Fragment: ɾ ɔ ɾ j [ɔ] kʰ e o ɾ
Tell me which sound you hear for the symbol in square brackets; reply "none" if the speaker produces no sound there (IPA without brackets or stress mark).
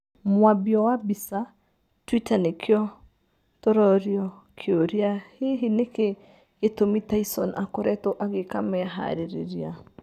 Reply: ɔ